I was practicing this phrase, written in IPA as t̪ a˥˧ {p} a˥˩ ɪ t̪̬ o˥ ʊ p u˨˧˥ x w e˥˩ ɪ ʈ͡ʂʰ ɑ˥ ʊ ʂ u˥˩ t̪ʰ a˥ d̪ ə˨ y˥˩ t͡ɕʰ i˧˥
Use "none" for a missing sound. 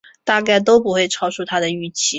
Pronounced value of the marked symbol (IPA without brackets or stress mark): k